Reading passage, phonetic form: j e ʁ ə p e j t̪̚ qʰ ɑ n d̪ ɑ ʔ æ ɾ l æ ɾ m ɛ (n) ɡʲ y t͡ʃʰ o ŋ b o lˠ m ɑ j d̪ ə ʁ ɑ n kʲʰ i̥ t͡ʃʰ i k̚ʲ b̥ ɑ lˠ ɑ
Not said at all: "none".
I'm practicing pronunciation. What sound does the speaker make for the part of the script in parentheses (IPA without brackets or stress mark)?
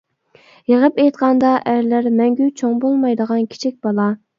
ŋ